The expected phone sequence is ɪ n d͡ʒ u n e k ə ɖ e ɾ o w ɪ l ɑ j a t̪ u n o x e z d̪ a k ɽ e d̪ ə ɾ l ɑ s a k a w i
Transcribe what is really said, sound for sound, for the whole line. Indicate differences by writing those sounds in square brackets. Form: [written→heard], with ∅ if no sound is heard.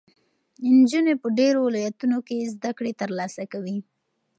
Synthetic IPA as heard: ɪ n d͡ʒ u n e [k→p] ə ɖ e ɾ o w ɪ l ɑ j a t̪ u n o [x→k] e z d̪ a k ɽ e [d̪→t̪] ə ɾ l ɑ s a k a w i